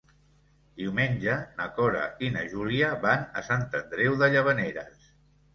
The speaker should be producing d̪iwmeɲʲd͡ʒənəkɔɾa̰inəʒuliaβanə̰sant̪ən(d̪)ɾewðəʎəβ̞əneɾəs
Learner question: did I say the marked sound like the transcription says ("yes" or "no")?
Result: yes